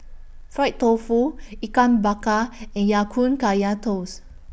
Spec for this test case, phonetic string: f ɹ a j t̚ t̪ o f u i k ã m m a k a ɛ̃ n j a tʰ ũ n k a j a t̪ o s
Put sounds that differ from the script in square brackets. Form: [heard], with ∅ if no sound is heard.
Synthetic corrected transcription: f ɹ a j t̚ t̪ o f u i k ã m [b] a k a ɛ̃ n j a [kʰ] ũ n k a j a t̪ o s